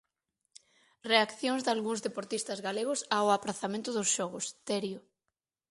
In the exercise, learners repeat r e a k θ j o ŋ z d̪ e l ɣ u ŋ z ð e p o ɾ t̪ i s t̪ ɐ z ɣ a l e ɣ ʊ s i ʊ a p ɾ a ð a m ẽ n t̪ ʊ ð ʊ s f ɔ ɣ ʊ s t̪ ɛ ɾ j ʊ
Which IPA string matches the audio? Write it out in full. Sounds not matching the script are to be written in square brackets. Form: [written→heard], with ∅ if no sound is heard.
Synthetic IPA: r e a k θ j o ŋ z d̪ [e→a] l ɣ u ŋ z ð e p o ɾ t̪ i s t̪ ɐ z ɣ a l e ɣ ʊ s [i→a] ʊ a p ɾ a [ð→θ] a m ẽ n t̪ ʊ ð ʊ s [f→ʃ] ɔ ɣ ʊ s t̪ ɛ ɾ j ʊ